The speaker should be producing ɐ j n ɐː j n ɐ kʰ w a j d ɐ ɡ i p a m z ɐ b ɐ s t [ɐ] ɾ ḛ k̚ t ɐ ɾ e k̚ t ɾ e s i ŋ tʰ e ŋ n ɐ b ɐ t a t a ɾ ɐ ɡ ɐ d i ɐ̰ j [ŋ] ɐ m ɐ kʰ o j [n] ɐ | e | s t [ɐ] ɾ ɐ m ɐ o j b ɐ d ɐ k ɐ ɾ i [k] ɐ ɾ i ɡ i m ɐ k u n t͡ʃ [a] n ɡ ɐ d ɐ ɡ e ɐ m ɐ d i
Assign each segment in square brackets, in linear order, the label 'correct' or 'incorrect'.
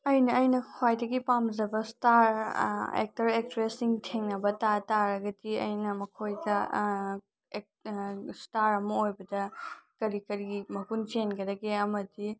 incorrect: a, incorrect: n, incorrect: d, incorrect: a, correct, incorrect: e

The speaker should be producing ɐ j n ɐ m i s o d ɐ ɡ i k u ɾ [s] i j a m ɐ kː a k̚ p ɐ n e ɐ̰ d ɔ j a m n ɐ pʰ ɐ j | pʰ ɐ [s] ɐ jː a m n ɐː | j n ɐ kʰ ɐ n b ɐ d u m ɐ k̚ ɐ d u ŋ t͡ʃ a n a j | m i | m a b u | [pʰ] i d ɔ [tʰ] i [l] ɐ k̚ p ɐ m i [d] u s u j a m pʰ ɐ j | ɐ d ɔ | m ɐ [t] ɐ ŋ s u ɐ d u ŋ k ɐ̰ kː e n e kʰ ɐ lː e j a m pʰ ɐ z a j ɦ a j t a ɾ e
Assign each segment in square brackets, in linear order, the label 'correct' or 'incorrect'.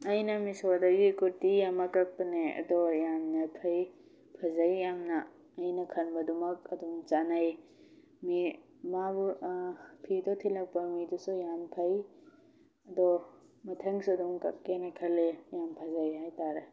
incorrect: t, incorrect: z, correct, correct, correct, correct, incorrect: tʰ

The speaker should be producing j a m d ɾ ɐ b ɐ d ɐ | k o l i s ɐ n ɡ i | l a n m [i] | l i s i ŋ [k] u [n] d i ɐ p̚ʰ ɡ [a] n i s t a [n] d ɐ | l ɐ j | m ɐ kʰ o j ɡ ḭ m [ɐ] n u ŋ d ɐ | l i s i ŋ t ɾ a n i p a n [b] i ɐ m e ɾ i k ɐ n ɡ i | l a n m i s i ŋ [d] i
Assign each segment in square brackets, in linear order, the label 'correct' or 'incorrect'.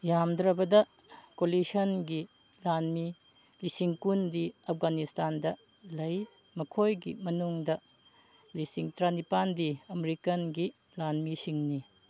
correct, correct, correct, correct, correct, correct, incorrect: d, incorrect: n

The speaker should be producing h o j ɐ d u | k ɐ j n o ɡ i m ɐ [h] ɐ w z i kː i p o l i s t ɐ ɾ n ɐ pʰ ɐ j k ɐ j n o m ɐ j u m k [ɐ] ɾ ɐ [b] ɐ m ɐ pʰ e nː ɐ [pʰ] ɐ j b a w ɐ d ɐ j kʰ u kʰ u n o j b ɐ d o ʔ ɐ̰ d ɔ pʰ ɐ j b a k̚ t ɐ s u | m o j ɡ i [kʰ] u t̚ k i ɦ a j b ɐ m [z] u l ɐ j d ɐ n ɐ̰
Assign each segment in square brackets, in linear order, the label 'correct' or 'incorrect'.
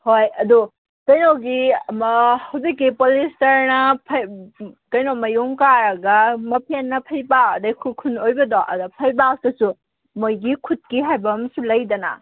correct, incorrect: a, incorrect: ɡ, correct, correct, incorrect: s

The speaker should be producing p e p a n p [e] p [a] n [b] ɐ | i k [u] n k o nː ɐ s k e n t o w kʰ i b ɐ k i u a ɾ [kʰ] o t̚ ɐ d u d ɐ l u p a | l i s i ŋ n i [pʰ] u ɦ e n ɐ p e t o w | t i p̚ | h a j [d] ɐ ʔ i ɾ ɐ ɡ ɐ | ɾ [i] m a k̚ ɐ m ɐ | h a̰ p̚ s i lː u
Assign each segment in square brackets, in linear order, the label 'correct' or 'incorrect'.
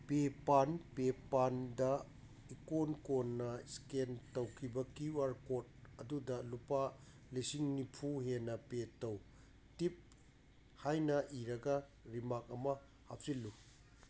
correct, correct, incorrect: d, incorrect: o, incorrect: k, correct, incorrect: n, correct

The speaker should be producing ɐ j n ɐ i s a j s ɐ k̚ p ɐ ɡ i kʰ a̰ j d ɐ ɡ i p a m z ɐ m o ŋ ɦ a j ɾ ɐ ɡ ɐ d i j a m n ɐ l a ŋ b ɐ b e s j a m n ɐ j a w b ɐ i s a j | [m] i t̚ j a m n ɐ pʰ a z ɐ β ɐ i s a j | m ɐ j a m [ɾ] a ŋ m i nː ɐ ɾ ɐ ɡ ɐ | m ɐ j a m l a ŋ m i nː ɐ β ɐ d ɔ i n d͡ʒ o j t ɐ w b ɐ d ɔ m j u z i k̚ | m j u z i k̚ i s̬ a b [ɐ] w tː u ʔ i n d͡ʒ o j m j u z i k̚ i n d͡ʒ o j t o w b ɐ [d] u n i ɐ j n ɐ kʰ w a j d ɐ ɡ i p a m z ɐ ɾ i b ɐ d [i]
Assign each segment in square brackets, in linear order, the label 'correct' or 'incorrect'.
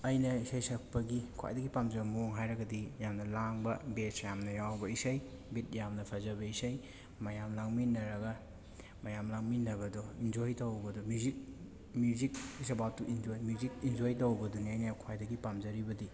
incorrect: b, incorrect: l, incorrect: a, correct, correct

